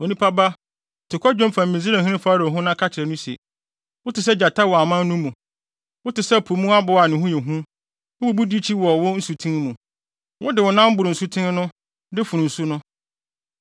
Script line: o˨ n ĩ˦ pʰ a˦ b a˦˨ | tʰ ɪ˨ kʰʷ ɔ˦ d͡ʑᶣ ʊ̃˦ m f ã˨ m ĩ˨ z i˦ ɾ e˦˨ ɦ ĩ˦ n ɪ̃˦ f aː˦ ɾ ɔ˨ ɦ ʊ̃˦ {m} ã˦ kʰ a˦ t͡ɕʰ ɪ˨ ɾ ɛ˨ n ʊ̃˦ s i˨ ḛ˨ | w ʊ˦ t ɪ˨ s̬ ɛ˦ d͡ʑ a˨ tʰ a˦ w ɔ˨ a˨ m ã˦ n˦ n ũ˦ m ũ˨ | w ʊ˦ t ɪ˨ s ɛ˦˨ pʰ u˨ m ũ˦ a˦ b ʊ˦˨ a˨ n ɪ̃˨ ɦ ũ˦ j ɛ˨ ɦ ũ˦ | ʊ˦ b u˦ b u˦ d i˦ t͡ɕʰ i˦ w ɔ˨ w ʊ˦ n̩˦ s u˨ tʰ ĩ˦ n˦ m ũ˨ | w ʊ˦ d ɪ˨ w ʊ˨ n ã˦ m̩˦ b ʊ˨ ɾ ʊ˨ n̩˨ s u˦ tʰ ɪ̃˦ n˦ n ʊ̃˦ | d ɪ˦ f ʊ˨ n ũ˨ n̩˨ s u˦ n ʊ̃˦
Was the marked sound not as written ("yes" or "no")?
yes